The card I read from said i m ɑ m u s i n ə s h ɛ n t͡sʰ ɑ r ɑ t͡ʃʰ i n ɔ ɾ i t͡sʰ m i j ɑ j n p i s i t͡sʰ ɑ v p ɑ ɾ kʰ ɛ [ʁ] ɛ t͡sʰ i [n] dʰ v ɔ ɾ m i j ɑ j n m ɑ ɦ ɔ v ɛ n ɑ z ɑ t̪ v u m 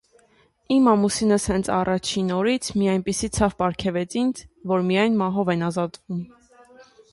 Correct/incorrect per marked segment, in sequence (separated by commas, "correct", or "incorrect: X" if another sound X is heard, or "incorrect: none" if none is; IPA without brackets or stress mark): incorrect: v, correct